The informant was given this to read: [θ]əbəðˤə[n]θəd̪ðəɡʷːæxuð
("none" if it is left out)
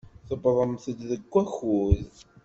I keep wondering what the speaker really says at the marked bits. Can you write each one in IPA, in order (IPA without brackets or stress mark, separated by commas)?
θ, m